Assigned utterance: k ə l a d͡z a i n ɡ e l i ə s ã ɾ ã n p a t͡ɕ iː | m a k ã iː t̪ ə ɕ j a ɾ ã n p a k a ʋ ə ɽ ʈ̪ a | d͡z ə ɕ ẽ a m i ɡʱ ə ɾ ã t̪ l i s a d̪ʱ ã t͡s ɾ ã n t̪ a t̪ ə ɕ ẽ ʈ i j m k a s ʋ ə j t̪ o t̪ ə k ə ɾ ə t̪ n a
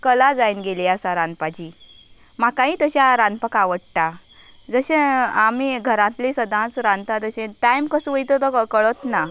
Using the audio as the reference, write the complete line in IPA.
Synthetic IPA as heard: k ə l a d͡z a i n ɡ e l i a s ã ɾ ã n p a t͡ɕ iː | m a k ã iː t̪ ə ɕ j a ɾ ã n p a k a ʋ ə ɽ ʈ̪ a | d͡z ə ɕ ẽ a m i ɡʱ ə ɾ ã t̪ l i s ə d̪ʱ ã t͡s ɾ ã n t̪ a t̪ ə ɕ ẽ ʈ a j m k ə s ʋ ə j t̪ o t̪ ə k ə ɭ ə t̪ n a